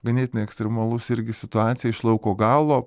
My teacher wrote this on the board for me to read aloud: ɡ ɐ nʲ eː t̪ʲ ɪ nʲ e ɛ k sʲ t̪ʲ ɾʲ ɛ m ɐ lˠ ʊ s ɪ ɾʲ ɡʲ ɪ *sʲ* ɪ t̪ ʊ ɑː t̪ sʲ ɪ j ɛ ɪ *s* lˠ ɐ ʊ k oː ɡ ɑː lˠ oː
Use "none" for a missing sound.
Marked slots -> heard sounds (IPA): sʲ, ʃ

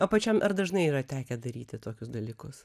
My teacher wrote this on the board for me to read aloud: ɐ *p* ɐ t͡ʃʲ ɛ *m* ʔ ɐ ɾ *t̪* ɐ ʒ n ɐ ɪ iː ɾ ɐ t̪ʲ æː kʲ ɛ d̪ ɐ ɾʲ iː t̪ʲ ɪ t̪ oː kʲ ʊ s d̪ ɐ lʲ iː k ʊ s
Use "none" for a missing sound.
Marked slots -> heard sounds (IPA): p, m, d̪

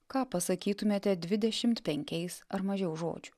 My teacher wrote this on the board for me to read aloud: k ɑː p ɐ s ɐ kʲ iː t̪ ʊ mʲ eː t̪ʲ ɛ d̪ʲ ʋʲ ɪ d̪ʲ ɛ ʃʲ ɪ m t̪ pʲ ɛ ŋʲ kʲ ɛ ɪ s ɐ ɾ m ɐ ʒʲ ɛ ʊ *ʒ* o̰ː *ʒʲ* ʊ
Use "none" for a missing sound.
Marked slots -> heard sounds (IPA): ʒ, d͡ʒʲ

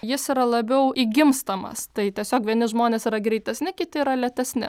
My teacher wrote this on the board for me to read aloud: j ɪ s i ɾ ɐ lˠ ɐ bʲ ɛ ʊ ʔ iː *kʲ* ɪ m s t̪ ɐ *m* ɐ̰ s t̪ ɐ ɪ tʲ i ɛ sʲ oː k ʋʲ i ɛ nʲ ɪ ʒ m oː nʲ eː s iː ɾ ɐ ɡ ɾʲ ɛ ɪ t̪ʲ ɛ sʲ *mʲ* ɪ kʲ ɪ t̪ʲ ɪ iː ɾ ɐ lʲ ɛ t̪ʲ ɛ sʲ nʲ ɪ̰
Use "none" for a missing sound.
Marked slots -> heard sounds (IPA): ɡʲ, m, nʲ

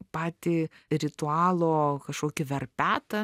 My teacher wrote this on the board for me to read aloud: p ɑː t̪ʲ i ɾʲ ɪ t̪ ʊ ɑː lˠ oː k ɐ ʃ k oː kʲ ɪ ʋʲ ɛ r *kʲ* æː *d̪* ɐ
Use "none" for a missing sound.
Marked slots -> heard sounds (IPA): pʲ, t̪

